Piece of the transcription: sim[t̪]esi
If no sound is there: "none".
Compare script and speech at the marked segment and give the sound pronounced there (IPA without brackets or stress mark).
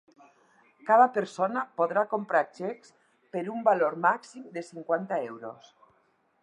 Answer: d̪